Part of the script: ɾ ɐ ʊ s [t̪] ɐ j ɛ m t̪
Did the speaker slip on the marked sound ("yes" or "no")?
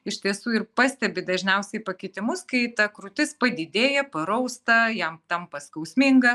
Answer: no